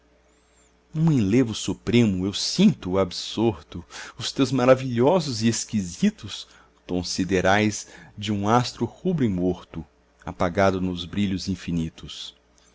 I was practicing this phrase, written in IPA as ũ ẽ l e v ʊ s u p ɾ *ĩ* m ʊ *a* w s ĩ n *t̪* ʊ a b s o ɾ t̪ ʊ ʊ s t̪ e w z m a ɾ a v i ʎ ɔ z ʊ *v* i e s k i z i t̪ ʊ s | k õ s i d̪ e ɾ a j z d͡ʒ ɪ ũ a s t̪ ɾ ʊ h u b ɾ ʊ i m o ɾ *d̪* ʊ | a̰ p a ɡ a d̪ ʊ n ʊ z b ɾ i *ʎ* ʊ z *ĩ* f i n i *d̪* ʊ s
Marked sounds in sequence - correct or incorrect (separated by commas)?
incorrect, incorrect, correct, incorrect, incorrect, correct, correct, incorrect